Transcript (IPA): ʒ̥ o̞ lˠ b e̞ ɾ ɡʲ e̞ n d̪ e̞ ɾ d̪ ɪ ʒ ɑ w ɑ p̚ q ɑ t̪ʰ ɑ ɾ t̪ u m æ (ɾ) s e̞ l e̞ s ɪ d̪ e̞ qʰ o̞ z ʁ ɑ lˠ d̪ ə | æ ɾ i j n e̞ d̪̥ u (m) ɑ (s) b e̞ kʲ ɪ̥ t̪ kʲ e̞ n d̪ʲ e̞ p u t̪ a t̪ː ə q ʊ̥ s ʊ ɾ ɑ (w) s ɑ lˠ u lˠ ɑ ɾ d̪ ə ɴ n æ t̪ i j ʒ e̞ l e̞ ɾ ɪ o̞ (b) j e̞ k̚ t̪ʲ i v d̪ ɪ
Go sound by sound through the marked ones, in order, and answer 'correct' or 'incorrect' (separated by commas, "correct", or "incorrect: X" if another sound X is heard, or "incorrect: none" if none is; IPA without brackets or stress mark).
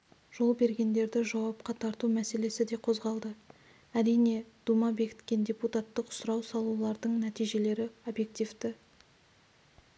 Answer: incorrect: none, correct, incorrect: none, correct, correct